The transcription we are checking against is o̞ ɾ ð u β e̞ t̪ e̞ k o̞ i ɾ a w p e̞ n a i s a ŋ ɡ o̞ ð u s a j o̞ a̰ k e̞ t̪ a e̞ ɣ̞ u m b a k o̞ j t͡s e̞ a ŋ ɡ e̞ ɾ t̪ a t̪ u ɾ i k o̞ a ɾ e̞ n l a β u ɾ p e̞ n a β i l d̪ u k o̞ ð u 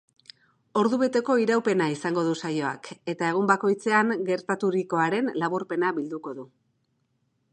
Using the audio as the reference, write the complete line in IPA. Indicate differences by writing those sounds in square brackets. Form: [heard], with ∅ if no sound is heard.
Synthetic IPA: o̞ ɾ ð u β e̞ t̪ e̞ k o̞ i ɾ a w p e̞ n a i s a ŋ ɡ o̞ ð u s a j o̞ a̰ k e̞ t̪ a e̞ ɣ̞ u m b a k o̞ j t͡s e̞ a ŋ ɡ e̞ ɾ t̪ a t̪ u ɾ i k o̞ a ɾ e̞ n l a β u ɾ p e̞ n a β i l d̪ u k o̞ ð u